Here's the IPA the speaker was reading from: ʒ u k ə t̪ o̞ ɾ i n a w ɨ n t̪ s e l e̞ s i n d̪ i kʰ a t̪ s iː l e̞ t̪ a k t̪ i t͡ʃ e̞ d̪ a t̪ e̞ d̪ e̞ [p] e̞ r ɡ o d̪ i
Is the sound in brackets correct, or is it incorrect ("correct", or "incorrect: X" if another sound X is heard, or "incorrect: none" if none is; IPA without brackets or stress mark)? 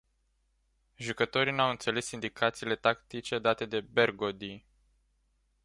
incorrect: b